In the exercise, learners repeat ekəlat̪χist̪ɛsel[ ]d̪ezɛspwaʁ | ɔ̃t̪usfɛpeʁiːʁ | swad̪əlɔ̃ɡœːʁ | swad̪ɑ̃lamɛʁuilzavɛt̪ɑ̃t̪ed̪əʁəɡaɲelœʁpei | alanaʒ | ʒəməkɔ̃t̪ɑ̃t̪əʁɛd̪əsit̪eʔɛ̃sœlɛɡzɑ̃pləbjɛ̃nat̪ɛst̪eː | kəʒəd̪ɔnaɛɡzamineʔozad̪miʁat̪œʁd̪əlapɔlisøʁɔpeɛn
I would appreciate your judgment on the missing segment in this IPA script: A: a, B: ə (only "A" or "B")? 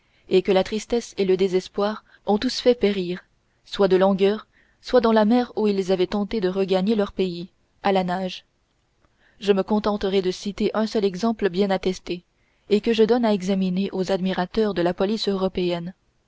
B